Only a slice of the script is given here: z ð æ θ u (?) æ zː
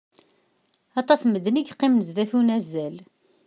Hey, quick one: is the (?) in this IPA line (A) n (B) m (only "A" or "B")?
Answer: A